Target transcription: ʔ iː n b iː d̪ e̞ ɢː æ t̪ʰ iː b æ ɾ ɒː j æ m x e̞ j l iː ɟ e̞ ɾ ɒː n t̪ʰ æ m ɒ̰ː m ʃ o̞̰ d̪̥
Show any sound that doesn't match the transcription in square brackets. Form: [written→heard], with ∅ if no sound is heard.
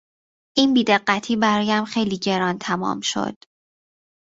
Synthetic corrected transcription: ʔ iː n b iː d̪ e̞ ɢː æ t̪ʰ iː b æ ɾ ɒː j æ m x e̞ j l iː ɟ e̞ ɾ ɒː n t̪ʰ æ m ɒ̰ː m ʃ o̞̰ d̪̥